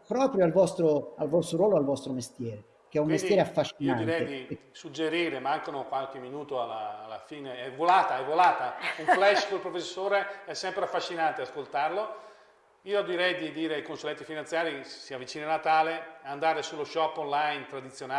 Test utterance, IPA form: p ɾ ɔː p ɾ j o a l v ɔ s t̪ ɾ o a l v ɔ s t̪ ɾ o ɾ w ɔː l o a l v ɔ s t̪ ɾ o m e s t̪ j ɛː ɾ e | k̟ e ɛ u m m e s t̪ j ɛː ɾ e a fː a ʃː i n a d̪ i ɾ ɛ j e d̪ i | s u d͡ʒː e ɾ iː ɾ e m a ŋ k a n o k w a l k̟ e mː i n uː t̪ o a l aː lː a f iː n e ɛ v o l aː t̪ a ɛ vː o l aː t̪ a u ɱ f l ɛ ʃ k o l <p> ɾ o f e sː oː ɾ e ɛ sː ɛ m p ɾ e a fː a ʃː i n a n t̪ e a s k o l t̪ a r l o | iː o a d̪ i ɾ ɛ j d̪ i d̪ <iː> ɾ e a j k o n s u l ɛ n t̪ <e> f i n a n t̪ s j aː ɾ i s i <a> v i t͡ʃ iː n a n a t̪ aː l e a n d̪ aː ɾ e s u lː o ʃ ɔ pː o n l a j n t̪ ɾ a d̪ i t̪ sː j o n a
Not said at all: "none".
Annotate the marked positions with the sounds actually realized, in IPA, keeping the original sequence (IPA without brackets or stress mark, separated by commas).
p, iː, i, a